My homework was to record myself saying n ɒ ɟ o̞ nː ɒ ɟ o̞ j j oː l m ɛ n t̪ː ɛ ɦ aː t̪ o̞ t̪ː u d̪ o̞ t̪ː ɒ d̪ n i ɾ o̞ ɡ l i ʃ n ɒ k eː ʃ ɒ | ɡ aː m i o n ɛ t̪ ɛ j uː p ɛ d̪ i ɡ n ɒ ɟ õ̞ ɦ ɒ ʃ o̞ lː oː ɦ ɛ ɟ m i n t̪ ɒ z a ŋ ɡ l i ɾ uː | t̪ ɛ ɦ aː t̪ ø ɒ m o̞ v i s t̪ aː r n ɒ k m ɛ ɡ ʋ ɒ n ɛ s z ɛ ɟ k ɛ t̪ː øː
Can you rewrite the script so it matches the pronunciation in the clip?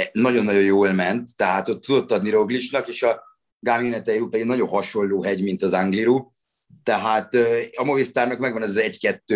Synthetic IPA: n ɒ ɟ o̞ nː ɒ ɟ o̞ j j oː l m ɛ n t̪ː ɛ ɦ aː t̪ o̞ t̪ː u d̪ o̞ t̪ː ɒ d̪ n i ɾ o̞ ɡ l i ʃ n ɒ k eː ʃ ɒ | ɡ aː m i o n ɛ t̪ ɛ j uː p ɛ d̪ i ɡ n ɒ ɟ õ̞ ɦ ɒ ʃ o̞ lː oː ɦ ɛ ɟ m i n t̪ ɒ z a ŋ ɡ l i ɾ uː | t̪ ɛ ɦ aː t̪ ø ɒ m o̞ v i s t̪ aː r n ɒ k m ɛ ɡ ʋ ɒ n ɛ z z ɛ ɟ k ɛ t̪ː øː